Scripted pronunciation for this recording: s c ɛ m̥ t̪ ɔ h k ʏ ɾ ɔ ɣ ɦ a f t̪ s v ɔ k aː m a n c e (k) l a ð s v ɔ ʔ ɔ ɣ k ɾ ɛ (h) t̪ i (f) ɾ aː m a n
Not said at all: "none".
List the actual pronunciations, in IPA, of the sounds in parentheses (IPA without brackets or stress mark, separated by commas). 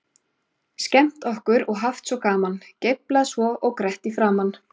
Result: p, h, f